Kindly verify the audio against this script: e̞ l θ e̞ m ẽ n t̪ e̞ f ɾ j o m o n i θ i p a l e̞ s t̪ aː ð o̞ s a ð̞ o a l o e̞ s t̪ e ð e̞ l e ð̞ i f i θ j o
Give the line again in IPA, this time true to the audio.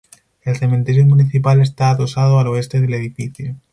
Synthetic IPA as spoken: e̞ l θ e̞ m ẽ n t̪ e̞ ɾ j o m u n i θ i p a l e̞ s t̪ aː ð o̞ s a ð̞ o a l o e̞ s t̪ e ð e̞ l e ð̞ i f i θ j o